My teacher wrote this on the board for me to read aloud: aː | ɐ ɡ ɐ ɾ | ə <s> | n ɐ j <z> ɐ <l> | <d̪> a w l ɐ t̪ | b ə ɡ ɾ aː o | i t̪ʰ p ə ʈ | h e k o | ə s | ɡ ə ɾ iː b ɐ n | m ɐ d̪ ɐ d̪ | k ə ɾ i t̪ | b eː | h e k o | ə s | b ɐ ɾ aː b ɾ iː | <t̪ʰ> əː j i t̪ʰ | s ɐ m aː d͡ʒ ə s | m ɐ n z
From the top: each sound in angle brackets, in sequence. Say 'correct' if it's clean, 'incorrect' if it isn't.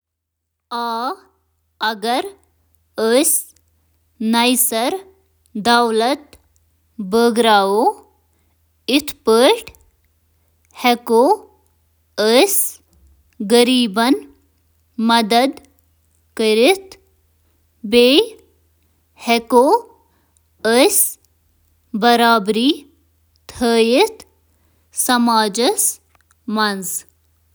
correct, incorrect: s, incorrect: ɾ, correct, correct

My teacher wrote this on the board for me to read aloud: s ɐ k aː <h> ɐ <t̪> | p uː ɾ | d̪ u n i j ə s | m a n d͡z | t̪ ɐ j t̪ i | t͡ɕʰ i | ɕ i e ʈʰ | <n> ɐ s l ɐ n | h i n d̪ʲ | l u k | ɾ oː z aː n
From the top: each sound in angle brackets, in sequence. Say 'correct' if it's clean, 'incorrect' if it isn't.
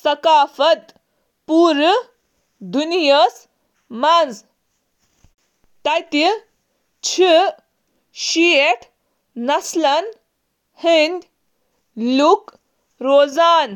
incorrect: f, correct, correct

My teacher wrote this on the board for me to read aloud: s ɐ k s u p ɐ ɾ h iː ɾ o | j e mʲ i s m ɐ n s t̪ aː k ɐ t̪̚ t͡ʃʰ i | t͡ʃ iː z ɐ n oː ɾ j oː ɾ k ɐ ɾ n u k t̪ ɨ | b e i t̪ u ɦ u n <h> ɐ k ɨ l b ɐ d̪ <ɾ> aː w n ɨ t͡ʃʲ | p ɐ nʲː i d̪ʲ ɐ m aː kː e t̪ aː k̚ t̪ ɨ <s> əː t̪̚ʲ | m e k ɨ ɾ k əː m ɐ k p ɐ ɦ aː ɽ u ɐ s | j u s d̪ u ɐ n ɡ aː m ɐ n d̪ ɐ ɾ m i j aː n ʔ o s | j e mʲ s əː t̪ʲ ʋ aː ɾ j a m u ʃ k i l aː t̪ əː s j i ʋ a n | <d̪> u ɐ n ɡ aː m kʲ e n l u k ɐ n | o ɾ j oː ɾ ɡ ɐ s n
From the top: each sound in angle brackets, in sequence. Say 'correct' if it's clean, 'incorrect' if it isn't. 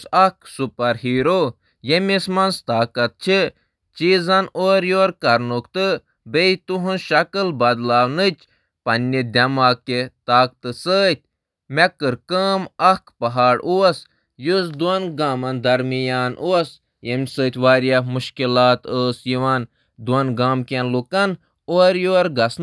incorrect: ʃ, incorrect: l, correct, correct

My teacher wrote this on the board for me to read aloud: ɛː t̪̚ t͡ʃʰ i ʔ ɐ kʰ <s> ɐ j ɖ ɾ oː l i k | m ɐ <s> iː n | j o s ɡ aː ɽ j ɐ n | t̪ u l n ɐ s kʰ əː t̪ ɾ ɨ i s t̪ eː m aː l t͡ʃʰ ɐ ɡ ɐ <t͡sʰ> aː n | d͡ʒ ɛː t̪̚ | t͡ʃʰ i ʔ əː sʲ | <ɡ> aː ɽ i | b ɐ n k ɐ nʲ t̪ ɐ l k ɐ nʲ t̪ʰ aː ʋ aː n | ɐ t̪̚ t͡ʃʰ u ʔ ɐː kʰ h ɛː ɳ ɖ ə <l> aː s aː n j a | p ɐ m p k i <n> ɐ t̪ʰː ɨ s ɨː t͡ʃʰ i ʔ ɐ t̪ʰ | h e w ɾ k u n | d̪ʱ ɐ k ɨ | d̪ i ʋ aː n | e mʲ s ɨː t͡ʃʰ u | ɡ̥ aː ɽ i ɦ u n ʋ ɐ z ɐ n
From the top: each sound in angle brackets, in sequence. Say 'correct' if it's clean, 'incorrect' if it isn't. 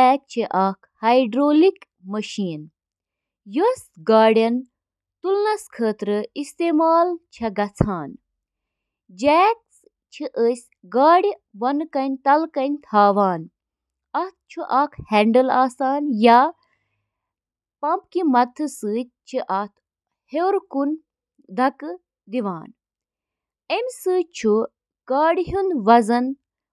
incorrect: h, incorrect: ʃ, correct, correct, correct, incorrect: m

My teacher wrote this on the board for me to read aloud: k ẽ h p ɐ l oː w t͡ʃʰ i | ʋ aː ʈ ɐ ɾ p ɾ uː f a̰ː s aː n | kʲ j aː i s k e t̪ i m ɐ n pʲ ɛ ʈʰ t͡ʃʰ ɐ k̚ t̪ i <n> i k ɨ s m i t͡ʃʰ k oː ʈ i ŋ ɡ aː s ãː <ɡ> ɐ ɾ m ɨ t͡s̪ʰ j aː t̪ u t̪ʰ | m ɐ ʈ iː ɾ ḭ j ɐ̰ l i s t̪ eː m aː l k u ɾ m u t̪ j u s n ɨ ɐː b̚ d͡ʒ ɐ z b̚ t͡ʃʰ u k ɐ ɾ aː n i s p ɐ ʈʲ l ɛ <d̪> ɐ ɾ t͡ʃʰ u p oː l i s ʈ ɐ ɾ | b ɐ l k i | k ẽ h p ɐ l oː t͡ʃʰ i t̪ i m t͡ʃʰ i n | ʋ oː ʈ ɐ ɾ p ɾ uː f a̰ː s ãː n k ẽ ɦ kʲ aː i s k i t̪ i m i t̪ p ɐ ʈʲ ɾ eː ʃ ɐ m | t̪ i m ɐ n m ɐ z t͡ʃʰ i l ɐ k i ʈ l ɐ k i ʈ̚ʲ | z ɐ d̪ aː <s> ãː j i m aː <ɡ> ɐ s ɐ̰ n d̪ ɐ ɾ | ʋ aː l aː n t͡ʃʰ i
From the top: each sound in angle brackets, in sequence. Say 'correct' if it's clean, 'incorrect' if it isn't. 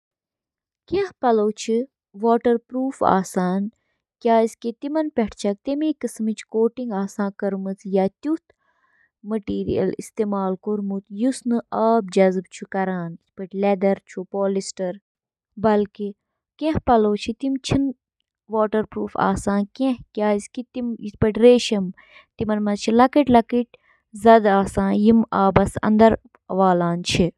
incorrect: m, incorrect: k, correct, correct, incorrect: b

